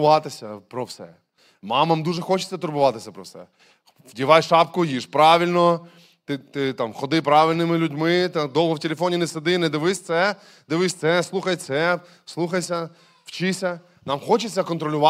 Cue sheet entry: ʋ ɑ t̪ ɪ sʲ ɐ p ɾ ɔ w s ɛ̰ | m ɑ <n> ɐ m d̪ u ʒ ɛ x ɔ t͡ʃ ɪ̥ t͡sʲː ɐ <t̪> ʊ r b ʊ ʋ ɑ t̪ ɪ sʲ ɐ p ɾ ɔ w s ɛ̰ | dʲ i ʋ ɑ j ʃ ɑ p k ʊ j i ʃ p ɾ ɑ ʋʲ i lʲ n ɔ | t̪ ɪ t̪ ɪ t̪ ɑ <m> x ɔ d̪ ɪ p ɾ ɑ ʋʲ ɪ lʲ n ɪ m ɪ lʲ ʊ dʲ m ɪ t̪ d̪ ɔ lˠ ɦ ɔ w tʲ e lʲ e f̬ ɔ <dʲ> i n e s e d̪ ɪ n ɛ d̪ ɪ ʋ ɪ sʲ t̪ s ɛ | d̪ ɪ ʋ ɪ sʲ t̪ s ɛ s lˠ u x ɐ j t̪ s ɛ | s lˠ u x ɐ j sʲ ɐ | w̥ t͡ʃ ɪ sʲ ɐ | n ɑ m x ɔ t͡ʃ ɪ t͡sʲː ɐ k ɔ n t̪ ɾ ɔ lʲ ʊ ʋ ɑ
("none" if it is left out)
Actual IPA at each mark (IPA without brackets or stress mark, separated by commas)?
m, t̪, m, nʲ